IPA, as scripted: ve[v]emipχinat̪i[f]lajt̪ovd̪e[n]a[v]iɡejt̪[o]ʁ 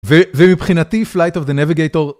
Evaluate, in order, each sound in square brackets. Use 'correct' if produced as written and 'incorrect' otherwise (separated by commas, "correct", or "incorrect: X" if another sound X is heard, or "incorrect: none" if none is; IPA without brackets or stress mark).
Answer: correct, correct, correct, correct, correct